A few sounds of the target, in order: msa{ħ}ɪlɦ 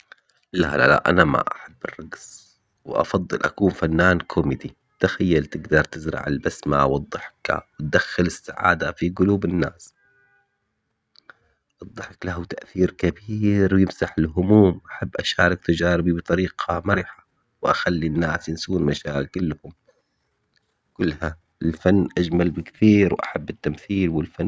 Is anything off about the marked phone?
no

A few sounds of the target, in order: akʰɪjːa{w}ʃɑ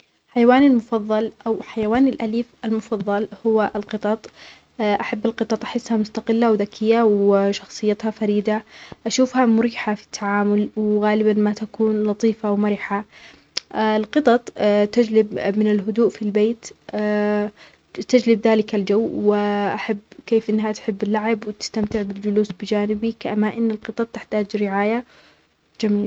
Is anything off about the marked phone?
no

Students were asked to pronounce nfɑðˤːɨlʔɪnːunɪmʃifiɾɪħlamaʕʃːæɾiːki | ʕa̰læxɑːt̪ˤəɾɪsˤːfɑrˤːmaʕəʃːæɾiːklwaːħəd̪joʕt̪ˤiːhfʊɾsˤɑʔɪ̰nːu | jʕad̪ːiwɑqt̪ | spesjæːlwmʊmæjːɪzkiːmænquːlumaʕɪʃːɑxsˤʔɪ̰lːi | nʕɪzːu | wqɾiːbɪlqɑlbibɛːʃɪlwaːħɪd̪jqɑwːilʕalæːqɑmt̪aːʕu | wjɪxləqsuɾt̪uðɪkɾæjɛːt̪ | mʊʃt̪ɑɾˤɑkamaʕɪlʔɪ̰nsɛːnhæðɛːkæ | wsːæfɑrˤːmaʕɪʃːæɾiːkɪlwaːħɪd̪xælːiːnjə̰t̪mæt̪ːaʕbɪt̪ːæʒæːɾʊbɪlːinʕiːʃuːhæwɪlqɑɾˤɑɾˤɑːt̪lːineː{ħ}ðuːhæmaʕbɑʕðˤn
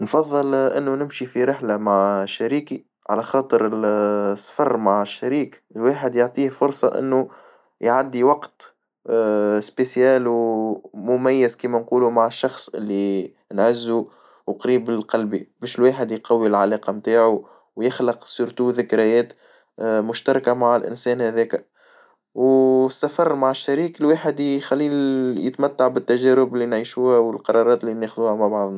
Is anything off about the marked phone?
yes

